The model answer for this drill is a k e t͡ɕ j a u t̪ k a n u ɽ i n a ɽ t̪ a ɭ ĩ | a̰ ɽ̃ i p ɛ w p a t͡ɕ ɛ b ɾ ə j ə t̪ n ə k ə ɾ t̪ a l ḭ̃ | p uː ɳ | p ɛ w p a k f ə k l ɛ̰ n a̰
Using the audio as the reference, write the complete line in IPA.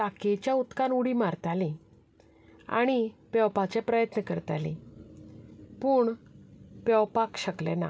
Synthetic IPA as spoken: a k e t͡ɕ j a u t̪ k a n u ɽ i m a ɾ t̪ a l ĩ | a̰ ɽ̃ i p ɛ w p a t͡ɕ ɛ p ɾ ə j ə t̪ n ə k ə ɾ t̪ a l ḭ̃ | p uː ɳ | p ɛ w p a k ɕ ə k l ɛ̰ n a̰